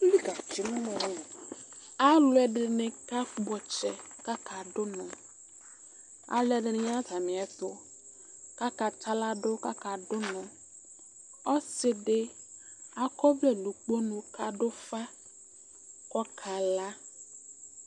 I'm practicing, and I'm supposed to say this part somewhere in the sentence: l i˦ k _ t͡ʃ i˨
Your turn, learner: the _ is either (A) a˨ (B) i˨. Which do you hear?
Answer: A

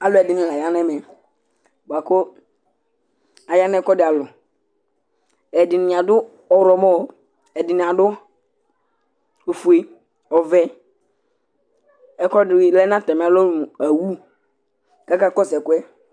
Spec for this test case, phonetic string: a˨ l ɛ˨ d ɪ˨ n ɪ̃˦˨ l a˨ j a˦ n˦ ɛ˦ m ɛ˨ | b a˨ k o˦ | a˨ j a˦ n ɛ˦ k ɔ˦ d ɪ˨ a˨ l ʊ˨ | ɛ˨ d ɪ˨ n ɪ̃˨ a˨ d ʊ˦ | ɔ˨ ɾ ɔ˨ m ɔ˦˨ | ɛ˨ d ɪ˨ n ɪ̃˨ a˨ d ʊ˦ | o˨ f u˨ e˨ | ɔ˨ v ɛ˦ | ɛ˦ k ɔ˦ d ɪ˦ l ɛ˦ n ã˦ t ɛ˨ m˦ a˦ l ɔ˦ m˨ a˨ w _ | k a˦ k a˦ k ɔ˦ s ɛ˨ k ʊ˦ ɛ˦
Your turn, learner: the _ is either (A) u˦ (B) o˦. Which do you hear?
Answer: A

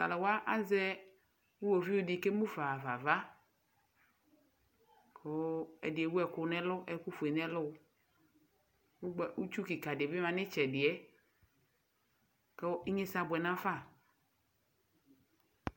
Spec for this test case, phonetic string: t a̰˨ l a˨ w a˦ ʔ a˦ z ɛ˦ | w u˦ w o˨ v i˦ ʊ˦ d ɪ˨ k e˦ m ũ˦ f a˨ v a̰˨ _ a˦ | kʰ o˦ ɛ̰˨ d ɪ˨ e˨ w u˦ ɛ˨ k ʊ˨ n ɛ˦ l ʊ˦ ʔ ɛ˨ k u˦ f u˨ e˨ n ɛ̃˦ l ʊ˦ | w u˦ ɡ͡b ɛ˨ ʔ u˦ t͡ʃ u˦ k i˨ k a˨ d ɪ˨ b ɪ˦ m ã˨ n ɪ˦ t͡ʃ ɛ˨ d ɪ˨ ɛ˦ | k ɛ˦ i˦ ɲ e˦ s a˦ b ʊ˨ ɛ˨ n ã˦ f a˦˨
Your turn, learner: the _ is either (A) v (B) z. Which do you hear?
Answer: A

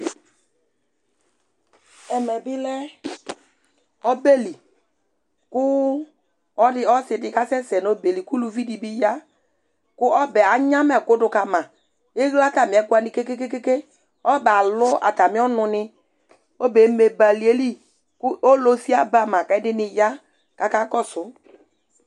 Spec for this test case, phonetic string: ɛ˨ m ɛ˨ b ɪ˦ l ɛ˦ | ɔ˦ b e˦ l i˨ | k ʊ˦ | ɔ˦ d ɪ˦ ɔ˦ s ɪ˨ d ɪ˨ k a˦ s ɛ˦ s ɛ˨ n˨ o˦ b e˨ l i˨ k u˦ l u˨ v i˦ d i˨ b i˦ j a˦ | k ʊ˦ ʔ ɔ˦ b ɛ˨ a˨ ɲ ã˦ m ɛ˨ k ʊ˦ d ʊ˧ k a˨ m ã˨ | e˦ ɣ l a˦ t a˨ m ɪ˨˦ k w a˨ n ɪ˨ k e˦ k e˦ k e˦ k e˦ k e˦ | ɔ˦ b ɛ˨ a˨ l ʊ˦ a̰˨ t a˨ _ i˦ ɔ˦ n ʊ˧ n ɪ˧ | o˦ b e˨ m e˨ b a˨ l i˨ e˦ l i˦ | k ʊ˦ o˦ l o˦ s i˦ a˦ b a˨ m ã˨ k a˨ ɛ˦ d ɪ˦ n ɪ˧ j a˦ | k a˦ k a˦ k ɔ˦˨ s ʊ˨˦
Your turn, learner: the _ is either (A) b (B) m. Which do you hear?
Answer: B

